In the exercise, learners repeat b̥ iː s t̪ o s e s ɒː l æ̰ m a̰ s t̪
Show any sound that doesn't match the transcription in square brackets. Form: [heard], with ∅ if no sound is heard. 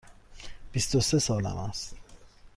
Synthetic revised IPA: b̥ [i] s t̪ o s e s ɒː l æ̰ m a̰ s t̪